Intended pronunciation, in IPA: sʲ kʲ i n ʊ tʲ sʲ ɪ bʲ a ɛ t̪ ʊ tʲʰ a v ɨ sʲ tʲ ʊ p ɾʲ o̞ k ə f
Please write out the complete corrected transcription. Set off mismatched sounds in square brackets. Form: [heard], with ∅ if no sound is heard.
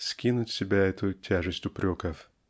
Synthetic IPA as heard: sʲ kʲ i n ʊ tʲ sʲ ɪ bʲ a ɛ t̪ ʊ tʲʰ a [ʐ] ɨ sʲ tʲ ʊ p ɾʲ o̞ k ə f